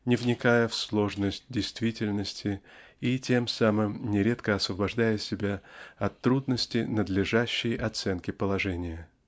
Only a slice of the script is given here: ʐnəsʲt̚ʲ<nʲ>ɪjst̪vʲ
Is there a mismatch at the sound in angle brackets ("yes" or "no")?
yes